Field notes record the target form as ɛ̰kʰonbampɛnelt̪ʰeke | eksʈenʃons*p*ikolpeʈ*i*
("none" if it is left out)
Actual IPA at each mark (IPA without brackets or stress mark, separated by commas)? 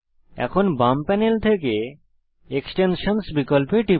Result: b, i